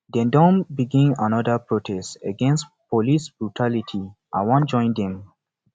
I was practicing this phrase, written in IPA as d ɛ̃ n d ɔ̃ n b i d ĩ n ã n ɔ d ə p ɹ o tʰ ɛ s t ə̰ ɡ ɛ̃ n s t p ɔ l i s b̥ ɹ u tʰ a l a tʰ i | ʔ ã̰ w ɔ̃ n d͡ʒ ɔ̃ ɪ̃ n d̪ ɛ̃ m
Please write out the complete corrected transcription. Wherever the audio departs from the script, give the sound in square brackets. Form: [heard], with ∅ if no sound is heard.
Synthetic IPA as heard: d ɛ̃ n d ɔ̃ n b i [ɡ] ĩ n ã n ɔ d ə p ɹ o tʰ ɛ s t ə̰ ɡ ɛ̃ n s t p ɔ l i s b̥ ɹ u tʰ a l [i] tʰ i | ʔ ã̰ w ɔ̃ n d͡ʒ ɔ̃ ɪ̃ n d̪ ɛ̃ m